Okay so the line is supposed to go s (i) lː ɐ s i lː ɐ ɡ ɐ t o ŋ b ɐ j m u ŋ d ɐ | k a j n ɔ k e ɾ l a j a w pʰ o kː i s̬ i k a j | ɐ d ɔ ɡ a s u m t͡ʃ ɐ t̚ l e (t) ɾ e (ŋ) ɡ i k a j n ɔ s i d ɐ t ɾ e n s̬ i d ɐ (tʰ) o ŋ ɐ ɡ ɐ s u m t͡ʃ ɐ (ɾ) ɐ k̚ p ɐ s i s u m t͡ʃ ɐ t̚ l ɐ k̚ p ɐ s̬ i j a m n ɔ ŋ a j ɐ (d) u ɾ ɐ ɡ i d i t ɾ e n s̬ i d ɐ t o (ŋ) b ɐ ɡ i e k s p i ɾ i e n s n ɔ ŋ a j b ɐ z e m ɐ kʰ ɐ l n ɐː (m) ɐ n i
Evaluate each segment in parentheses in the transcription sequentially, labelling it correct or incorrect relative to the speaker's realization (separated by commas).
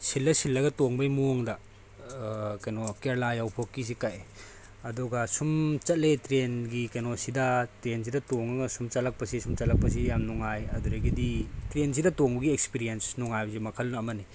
correct, correct, incorrect, incorrect, incorrect, correct, correct, correct